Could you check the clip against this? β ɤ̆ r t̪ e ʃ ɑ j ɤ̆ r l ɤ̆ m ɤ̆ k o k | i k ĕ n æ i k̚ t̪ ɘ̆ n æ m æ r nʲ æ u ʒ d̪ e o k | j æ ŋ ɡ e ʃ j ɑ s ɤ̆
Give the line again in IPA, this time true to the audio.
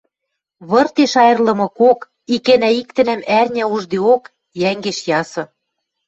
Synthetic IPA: β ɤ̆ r t̪ e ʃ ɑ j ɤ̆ r l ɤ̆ m ɤ̆ k o k | i k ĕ n æ i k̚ t̪ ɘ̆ n æ m æ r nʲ æ u ʒ d̪ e o k | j æ ŋ ɡ e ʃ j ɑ s ɤ̆